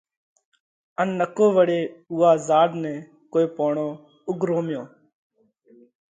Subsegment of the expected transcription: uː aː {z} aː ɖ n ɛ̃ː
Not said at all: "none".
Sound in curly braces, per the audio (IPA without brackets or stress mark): z